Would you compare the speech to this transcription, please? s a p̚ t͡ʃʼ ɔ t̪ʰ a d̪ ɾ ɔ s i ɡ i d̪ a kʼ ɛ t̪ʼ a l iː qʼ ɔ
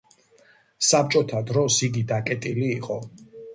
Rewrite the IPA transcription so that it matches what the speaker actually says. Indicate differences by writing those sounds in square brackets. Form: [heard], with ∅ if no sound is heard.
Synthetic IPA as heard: s a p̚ t͡ʃʼ ɔ t̪ʰ a d̪ ɾ ɔ s i ɡ i d̪ a kʼ ɛ t̪ʼ [i] l iː qʼ ɔ

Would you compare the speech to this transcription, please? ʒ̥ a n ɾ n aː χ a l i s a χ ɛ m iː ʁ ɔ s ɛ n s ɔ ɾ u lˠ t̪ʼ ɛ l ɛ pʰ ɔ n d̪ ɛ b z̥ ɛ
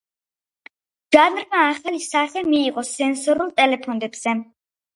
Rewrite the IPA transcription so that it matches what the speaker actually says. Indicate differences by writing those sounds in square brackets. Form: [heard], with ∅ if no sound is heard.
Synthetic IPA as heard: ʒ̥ a n ɾ [m] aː χ a l i s a χ ɛ m iː ʁ ɔ s ɛ n s ɔ ɾ u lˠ t̪ʼ ɛ l ɛ pʰ ɔ n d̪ ɛ b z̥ ɛ

